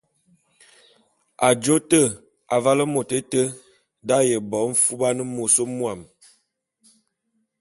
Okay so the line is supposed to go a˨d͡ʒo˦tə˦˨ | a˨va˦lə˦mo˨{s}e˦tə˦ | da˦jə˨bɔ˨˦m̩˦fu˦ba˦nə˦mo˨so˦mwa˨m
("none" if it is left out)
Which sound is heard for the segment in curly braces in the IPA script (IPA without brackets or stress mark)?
t